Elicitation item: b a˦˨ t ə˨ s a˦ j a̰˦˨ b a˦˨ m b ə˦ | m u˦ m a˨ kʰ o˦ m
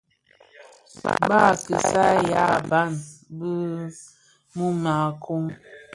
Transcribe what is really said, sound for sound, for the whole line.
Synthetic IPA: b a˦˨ k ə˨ s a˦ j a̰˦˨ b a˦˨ n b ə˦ | m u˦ m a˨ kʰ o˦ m